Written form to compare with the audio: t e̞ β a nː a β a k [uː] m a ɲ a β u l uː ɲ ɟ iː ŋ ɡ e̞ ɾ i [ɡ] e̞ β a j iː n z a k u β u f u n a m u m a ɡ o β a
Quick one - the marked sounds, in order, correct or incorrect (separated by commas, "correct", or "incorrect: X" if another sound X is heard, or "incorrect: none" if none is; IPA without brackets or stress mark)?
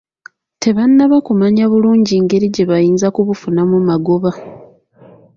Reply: incorrect: u, incorrect: ɟ